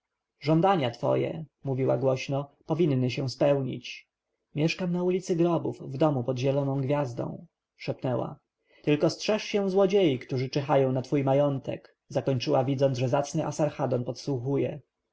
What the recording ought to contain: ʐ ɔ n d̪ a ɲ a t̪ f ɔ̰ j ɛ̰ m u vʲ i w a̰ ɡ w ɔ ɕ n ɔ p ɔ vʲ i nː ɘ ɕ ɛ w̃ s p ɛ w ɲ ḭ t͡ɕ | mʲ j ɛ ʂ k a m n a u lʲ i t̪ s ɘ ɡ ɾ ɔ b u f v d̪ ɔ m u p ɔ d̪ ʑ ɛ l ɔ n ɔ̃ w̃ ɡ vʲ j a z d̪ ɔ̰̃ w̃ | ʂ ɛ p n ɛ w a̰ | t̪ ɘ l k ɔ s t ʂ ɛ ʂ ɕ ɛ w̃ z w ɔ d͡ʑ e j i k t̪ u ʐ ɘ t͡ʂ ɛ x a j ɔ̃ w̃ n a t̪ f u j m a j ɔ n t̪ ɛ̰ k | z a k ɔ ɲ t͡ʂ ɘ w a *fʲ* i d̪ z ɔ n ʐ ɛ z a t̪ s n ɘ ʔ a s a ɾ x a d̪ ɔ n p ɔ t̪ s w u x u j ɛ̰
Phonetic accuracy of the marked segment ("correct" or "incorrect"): incorrect